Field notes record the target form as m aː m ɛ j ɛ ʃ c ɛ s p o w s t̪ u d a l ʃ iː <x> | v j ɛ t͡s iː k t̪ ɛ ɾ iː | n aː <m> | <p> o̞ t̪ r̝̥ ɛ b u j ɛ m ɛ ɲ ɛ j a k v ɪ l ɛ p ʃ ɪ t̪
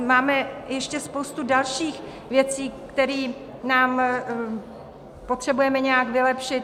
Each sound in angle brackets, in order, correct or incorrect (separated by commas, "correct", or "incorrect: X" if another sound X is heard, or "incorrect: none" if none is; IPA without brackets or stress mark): correct, correct, correct